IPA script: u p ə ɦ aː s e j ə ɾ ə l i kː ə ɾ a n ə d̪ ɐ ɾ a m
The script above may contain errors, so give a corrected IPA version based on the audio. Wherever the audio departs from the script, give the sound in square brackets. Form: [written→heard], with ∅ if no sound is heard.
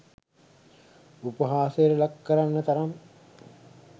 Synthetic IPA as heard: u p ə ɦ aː s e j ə ɾ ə l [i→a] kː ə ɾ a [n→nː] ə [d̪→t̪] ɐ ɾ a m